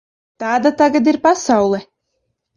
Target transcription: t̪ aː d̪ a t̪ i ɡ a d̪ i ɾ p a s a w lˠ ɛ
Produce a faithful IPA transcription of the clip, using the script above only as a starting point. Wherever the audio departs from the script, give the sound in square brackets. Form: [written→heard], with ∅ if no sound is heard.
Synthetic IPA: t̪ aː d̪ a t̪ [i→a] ɡ a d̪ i ɾ p a s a w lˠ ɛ